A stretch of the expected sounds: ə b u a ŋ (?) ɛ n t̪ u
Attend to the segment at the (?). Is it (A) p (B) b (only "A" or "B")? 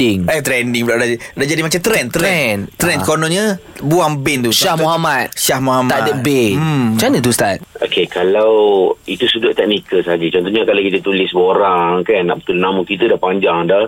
B